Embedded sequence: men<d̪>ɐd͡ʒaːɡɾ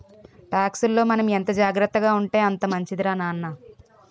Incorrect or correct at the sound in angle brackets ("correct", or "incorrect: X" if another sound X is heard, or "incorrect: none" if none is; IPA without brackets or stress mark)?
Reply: incorrect: t̪